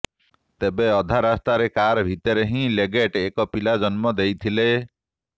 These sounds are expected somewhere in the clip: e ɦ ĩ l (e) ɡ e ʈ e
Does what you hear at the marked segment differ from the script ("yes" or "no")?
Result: no